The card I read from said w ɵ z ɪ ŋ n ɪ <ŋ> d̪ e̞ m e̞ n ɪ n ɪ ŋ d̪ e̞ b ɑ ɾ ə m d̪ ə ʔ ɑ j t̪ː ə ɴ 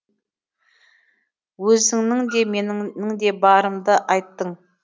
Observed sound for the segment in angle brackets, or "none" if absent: ŋ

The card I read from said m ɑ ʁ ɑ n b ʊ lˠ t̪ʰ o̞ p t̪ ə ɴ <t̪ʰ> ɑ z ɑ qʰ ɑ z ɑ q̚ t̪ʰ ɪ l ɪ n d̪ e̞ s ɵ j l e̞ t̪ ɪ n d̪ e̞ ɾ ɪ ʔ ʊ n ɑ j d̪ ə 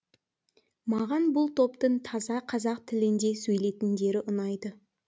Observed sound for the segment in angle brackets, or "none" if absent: t̪ʰ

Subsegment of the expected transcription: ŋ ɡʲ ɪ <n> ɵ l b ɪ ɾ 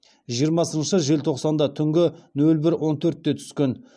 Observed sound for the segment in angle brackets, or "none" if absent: n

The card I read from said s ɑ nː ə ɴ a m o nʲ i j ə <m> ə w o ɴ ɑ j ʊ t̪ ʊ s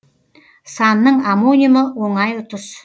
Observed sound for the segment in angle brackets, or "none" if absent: m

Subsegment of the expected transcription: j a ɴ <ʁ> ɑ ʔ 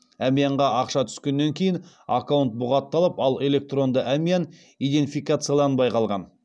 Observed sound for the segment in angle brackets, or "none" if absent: ʁ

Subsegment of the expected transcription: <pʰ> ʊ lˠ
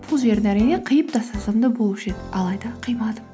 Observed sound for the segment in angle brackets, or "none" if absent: pʰ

